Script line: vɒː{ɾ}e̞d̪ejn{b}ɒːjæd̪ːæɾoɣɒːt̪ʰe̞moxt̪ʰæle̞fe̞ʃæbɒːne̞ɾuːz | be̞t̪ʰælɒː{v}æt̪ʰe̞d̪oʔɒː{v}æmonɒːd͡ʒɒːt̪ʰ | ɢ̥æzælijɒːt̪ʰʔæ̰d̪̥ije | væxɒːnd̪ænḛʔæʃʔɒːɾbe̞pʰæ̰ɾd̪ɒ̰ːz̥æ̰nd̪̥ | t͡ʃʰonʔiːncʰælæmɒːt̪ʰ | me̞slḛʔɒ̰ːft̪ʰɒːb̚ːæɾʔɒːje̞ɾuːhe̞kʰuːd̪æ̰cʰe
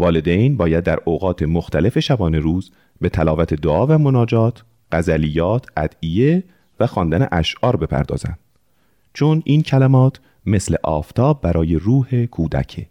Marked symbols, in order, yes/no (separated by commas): no, yes, yes, yes